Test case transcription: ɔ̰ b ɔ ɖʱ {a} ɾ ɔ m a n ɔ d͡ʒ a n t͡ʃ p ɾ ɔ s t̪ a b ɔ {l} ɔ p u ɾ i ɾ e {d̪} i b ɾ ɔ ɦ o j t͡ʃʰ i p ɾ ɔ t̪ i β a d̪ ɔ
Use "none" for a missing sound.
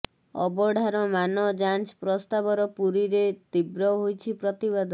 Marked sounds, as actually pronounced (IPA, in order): a, ɾ, t̪

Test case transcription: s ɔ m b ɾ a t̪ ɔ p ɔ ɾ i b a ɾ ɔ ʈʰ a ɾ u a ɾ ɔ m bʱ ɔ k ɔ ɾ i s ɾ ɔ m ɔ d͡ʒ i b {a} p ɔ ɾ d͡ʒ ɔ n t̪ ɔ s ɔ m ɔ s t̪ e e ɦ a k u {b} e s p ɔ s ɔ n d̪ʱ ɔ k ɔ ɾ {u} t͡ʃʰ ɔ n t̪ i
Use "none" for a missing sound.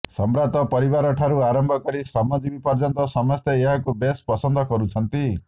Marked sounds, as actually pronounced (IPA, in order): i, b, u

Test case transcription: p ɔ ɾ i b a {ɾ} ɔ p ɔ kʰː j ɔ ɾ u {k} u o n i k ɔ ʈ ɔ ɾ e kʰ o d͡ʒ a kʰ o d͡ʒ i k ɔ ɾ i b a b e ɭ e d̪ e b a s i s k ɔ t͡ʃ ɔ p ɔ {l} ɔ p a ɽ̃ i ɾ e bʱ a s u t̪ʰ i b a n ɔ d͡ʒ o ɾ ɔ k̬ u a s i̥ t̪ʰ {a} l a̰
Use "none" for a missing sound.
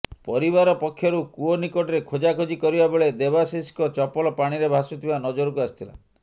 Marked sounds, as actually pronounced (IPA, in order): ɾ, k, l, i

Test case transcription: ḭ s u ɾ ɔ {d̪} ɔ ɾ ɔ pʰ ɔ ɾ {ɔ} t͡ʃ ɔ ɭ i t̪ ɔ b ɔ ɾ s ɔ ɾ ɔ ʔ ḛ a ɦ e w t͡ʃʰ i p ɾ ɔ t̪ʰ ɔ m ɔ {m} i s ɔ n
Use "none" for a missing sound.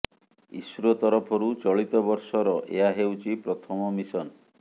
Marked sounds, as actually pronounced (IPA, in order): t̪, u, m

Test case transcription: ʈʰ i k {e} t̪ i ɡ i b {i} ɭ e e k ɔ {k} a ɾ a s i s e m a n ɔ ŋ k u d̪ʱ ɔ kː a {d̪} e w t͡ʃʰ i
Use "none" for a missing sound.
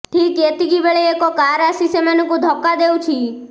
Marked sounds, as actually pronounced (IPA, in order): e, e, k, d̪

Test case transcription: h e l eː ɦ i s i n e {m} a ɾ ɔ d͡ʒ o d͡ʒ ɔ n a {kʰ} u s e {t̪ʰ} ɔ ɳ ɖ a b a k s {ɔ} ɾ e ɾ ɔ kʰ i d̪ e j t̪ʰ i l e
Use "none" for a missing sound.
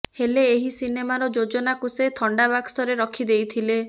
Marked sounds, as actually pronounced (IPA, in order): m, k, t̪ʰ, ɔ

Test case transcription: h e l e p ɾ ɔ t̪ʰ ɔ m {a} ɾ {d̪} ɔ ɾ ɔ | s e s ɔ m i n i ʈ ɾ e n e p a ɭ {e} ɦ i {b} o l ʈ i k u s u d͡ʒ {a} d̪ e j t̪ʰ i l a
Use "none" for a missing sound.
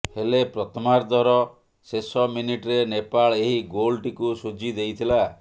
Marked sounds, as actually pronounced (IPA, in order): a, d̪, e, ɡ, i

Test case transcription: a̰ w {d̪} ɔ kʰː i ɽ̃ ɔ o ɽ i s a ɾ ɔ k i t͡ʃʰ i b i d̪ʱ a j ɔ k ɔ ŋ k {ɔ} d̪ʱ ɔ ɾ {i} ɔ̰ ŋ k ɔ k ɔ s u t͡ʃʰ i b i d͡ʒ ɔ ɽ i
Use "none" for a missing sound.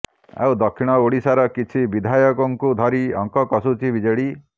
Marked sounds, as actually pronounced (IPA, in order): d̪, u, i

